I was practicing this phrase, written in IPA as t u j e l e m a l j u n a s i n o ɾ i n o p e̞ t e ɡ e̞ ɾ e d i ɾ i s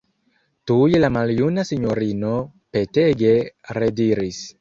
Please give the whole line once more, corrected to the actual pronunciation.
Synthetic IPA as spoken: t u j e l a m a l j u n a s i ɲ o ɾ i n o p e̞ t e ɡ e̞ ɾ e d i ɾ i s